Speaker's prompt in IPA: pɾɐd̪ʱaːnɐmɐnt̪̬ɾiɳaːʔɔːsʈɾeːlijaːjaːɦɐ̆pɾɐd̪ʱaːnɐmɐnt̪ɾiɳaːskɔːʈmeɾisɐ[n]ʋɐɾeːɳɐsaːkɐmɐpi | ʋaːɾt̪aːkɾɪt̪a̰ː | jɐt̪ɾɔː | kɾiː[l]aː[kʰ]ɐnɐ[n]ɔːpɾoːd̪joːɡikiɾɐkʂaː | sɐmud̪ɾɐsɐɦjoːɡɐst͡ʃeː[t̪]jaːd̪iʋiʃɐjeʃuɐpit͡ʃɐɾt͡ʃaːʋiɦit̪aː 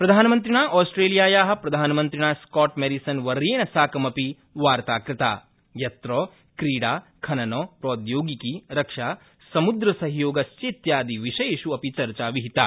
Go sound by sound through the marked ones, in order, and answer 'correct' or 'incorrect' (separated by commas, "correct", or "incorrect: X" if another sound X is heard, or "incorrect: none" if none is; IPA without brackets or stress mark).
correct, incorrect: ɽ, correct, correct, correct